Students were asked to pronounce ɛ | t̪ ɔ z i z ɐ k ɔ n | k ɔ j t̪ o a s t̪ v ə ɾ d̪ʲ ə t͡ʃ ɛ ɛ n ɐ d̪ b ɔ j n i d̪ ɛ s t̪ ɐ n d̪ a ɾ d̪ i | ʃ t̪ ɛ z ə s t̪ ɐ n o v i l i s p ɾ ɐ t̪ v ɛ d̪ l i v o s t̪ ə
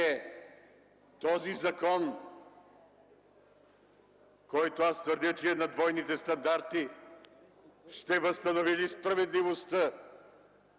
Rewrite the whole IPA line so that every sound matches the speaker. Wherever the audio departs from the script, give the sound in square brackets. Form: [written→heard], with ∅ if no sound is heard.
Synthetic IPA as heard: ɛ | t̪ ɔ z i z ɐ k ɔ n | k ɔ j t̪ o a s t̪ v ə ɾ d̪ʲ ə t͡ʃ ɛ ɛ n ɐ d̪ [b→v] ɔ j n i [d̪→t̪] ɛ s t̪ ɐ n d̪ a ɾ [d̪→t̪] i | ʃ t̪ ɛ [z→v] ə s t̪ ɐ n o v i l i s p ɾ ɐ [t̪→∅] v ɛ d̪ l i v o s t̪ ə